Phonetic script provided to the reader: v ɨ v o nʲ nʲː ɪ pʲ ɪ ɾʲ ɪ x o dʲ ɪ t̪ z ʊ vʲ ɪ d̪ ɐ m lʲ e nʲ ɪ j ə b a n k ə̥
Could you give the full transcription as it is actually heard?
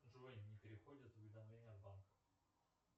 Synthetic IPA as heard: ʐ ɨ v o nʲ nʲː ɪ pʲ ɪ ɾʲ ɪ x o dʲ ɪ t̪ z ʊ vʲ ɪ d̪ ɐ m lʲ e nʲ ɪ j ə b a n k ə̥